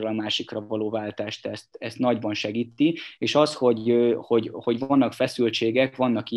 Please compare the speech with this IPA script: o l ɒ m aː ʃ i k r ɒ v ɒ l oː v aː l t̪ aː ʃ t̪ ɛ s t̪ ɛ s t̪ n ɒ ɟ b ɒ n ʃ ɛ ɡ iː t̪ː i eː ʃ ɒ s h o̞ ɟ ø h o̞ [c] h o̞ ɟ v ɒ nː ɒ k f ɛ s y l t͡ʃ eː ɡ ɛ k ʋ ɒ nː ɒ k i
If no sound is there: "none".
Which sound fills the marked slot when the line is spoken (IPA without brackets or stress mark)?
ɟ